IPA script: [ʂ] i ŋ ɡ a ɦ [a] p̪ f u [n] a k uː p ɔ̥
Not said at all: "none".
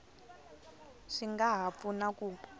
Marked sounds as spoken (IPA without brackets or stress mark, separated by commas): ʂ, a, n